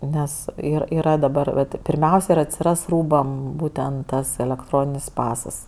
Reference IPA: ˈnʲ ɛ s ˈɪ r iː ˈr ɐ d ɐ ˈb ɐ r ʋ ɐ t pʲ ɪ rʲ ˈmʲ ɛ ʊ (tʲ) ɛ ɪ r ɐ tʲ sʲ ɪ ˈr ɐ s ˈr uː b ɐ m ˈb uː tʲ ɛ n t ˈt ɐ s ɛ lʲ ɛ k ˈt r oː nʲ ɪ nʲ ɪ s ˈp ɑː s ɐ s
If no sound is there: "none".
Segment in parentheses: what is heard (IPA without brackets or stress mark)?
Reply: sʲ